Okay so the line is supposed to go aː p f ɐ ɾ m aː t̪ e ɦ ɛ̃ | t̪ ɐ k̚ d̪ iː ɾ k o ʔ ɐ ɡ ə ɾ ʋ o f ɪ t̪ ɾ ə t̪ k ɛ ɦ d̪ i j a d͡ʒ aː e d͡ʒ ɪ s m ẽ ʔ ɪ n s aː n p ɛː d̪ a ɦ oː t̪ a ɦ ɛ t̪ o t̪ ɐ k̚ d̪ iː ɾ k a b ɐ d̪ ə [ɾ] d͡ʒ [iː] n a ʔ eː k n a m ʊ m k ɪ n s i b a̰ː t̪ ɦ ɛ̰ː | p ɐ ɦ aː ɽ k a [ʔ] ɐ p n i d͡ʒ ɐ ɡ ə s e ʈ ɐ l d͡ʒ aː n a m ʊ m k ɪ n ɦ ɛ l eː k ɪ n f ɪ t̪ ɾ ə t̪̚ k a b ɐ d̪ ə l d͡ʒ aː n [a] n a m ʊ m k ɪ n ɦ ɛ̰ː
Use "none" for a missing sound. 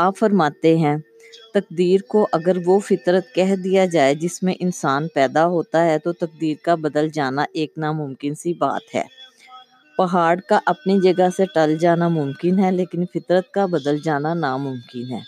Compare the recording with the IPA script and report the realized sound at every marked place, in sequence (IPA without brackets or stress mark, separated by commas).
l, aː, ʔ, a